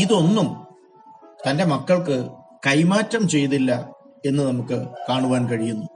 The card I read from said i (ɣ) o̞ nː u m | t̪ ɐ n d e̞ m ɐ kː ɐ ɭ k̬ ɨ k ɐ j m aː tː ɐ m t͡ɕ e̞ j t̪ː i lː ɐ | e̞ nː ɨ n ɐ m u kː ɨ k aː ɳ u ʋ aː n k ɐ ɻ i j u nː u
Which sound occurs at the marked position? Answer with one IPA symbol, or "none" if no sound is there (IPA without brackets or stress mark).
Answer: ð